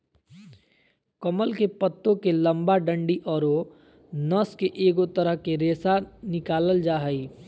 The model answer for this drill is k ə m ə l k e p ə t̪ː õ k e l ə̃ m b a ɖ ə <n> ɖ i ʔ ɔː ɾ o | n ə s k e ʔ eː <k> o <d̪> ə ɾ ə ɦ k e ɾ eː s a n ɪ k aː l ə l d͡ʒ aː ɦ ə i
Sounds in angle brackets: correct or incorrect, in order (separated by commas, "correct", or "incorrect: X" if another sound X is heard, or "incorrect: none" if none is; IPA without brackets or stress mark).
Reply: incorrect: ɳ, incorrect: ɡ, incorrect: t̪